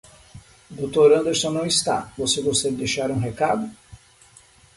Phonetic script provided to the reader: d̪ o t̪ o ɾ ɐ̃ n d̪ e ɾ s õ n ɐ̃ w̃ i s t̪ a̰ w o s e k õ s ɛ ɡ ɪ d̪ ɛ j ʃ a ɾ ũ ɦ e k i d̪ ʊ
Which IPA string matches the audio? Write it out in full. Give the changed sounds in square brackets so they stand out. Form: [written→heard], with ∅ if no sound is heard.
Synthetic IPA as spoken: d̪ o t̪ o ɾ ɐ̃ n d̪ e ɾ s õ n ɐ̃ w̃ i s t̪ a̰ [w→v] o s e k õ s ɛ ɡ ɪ d̪ [ɛ→e] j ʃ a ɾ ũ ɦ e k [i→a] d̪ ʊ